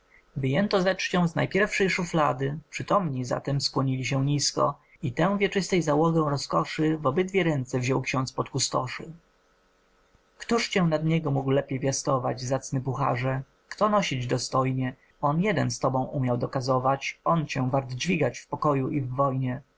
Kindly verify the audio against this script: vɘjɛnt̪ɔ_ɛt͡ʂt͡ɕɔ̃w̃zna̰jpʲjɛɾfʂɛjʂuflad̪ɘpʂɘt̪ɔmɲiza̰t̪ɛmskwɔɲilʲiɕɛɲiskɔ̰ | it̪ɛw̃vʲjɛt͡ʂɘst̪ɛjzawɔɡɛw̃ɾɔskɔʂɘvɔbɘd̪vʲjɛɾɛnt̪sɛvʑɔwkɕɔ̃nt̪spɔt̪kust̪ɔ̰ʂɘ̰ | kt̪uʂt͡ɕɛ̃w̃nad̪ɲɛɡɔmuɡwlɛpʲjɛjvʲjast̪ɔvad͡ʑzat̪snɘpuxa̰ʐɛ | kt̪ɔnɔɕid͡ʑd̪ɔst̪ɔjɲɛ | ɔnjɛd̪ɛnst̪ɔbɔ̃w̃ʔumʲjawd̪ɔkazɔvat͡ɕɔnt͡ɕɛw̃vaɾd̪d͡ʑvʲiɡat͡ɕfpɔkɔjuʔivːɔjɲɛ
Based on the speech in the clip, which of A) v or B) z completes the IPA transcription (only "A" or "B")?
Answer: B